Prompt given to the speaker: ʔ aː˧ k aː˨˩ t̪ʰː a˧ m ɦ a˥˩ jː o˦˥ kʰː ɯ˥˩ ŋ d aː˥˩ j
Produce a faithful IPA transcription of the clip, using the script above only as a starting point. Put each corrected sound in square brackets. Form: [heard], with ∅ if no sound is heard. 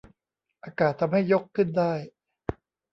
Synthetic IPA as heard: ʔ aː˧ k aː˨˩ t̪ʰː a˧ m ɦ a˥˩ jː o˦˥ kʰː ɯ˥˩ [n] d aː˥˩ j